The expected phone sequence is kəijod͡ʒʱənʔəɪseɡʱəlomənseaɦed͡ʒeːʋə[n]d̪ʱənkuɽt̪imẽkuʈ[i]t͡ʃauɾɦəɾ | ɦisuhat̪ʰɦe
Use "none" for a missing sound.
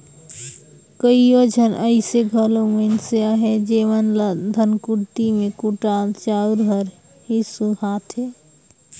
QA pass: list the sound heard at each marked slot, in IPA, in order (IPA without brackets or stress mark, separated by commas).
n, a